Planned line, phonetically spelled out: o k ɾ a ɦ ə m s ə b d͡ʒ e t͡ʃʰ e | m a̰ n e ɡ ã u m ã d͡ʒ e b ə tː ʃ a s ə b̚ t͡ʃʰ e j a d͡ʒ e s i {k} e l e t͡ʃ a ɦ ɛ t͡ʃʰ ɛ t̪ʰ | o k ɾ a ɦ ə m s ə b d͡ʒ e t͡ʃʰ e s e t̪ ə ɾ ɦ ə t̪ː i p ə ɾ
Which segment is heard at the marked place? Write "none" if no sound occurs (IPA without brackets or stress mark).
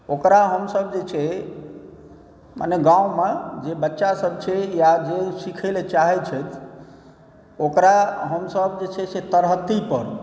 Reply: kʰ